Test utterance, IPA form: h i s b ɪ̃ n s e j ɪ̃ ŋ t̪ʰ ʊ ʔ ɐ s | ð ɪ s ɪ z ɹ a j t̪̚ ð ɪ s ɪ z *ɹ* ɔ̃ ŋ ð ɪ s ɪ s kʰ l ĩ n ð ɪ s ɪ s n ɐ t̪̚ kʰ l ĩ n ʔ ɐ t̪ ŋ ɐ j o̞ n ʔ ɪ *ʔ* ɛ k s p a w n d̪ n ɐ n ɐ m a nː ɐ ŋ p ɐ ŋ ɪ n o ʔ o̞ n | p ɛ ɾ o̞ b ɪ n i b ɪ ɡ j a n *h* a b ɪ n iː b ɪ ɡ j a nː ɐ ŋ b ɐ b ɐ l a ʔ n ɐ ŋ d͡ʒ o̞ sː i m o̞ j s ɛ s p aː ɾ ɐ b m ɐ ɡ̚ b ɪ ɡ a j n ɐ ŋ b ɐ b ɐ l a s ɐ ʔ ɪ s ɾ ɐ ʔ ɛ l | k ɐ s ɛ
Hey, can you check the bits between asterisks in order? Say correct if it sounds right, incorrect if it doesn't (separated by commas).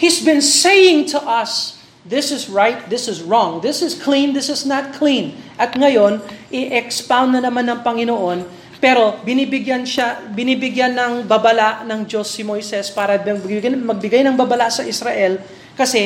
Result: correct, correct, incorrect